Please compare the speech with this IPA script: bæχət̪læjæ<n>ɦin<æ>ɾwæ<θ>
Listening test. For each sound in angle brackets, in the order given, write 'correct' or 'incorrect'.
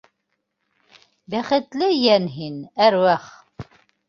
correct, correct, incorrect: χ

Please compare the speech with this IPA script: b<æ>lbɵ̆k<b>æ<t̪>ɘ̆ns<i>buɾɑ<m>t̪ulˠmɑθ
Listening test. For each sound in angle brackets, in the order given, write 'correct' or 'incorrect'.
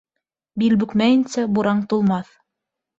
incorrect: i, incorrect: m, incorrect: none, incorrect: æ, incorrect: ɴ

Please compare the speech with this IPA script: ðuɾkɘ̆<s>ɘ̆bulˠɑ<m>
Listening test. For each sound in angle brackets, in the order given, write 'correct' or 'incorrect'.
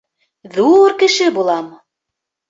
incorrect: ʃ, correct

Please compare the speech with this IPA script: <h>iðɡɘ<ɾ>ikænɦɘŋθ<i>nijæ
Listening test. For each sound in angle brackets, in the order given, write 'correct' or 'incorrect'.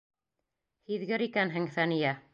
correct, correct, incorrect: æ

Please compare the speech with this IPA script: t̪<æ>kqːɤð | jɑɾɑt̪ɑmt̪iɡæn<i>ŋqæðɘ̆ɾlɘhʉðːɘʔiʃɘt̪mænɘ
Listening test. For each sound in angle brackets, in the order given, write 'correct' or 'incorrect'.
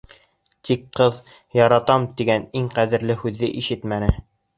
incorrect: i, correct

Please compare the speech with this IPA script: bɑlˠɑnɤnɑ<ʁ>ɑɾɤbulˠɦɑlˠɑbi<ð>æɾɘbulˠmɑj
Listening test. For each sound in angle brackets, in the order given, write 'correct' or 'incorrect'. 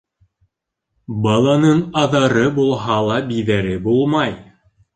incorrect: ð, correct

